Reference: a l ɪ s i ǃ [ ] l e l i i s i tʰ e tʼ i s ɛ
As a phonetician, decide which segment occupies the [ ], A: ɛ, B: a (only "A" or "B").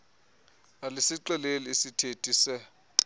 A